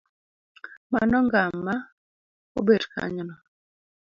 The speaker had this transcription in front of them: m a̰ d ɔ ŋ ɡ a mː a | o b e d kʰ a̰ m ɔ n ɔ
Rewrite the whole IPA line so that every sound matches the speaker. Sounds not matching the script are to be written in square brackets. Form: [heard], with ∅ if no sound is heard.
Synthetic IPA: m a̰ [n] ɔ ŋ ɡ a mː a | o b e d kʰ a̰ [ɲ] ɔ n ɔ